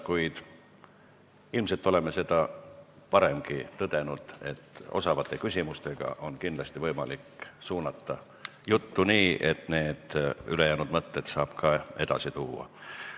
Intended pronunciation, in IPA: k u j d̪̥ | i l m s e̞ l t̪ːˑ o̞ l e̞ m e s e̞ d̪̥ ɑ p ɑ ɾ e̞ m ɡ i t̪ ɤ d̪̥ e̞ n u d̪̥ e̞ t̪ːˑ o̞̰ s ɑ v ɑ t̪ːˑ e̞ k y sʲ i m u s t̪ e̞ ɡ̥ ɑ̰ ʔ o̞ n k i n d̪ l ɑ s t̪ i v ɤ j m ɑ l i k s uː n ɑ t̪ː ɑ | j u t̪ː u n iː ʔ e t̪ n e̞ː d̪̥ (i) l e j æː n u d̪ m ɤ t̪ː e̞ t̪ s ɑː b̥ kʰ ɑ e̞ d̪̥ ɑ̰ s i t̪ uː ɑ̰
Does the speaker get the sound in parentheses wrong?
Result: yes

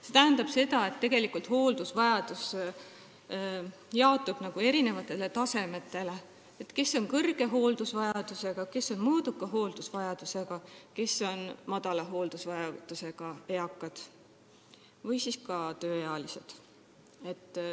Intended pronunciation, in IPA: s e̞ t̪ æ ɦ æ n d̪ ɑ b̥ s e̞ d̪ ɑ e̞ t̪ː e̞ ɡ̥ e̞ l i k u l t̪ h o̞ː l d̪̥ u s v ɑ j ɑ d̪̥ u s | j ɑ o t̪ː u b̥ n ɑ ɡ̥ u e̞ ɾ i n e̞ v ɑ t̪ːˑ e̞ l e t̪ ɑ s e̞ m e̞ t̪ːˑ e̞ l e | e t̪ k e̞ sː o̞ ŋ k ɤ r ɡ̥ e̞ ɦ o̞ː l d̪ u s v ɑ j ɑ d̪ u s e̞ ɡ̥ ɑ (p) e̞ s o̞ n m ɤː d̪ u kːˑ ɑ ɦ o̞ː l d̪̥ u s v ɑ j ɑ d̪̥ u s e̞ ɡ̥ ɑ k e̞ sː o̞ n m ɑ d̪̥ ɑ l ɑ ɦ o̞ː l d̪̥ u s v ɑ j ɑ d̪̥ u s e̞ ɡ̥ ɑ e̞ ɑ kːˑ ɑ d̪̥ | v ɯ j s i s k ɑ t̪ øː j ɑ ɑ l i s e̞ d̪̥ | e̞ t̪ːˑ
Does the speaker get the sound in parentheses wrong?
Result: yes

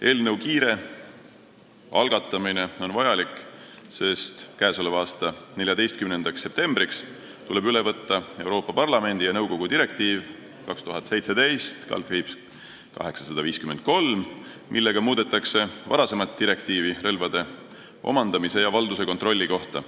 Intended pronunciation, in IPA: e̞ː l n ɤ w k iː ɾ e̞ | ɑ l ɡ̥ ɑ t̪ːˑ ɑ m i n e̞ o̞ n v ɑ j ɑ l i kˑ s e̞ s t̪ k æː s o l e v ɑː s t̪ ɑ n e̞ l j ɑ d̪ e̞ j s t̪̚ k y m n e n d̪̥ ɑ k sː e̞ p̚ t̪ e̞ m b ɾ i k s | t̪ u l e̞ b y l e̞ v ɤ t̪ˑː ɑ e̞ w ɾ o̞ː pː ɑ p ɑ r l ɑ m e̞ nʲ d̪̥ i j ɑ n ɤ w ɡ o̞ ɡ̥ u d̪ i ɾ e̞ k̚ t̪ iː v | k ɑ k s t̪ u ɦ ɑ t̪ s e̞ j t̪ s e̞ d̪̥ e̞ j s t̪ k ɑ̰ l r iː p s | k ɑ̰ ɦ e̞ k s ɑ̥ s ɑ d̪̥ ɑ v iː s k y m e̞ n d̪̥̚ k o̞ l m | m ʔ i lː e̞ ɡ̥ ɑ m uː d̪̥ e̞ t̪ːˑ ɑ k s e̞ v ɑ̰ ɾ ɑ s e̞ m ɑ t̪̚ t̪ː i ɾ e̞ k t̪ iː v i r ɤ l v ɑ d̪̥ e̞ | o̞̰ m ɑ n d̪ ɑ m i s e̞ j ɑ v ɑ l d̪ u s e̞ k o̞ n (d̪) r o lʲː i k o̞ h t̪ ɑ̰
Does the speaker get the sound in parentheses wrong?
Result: yes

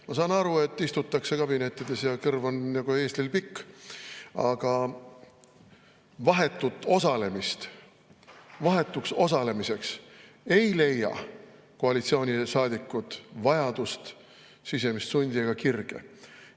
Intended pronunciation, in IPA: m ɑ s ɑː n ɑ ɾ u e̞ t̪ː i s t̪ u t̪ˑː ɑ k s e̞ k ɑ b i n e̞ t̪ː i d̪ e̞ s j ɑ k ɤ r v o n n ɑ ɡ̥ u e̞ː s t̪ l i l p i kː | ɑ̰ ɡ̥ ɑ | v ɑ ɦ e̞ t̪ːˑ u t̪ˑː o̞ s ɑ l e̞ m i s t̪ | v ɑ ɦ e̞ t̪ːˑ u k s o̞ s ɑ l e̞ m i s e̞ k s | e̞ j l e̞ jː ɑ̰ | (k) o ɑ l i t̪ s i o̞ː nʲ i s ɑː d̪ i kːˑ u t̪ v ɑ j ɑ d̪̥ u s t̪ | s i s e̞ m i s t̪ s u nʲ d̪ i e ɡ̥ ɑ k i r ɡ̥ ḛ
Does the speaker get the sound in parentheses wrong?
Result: no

